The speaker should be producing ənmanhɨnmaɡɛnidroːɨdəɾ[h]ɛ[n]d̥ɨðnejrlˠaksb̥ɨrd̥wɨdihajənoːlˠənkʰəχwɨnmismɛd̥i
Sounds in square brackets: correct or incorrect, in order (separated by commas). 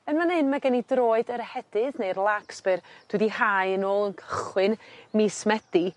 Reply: correct, incorrect